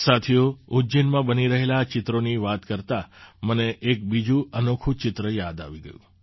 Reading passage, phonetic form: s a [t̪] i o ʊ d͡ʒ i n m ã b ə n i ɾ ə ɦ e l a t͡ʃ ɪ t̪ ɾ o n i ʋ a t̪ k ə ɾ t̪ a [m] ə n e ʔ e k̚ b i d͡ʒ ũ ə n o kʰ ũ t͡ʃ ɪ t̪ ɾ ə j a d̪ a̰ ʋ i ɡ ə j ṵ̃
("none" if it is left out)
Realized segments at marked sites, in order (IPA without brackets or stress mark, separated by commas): t̪ʰ, m